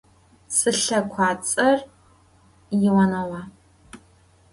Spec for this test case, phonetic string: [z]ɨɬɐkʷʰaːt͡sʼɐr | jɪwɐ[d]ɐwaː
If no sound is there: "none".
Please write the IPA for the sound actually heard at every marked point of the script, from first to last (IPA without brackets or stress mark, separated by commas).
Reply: s, n